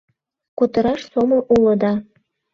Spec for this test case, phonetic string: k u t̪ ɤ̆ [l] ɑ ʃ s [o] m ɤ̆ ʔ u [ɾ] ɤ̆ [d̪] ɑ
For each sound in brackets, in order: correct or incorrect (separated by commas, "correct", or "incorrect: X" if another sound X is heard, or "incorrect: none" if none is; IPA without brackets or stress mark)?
incorrect: ɾ, correct, incorrect: l, correct